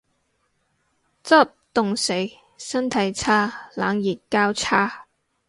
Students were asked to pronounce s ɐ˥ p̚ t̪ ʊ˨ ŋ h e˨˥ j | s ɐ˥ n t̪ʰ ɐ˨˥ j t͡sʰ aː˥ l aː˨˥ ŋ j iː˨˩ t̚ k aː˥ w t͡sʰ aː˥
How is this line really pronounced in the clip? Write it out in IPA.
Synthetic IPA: t͡s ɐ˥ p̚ t̪ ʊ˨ ŋ s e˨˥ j | s ɐ˥ n t̪ʰ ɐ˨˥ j t͡sʰ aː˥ l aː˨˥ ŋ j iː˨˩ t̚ k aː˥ w t͡sʰ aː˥